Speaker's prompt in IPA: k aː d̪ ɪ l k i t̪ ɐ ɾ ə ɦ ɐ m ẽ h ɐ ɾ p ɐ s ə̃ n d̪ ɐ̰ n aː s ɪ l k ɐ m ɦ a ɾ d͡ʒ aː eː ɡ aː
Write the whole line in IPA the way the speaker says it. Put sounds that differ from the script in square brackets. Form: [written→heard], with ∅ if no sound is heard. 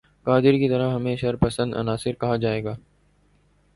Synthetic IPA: k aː d̪ ɪ [l→ɾ] k i t̪ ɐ ɾ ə ɦ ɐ m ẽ [h→ʃ] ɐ ɾ p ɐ s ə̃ n d̪ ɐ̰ n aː s ɪ [l→ɾ] k ɐ [m→∅] ɦ a [ɾ→∅] d͡ʒ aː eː ɡ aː